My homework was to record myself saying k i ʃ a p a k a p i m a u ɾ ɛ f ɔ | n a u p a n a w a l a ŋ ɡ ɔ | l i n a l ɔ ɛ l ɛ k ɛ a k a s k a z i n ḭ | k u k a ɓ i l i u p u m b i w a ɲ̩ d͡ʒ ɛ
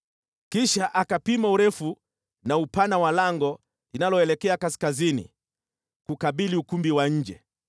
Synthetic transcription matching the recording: k i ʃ a ʔ a k a p i m a u ɾ ɛ f u | n a u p a n a w a l a ŋ ɡ ɔ | l i n a l ɔ ɛ l ɛ k ɛ a k a s k a z i n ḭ | k u k a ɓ i l i u k u m b i w a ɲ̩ d͡ʒ ɛ